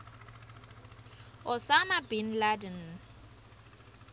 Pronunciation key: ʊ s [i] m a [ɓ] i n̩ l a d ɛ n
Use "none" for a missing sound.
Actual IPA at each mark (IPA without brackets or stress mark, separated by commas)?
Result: a, b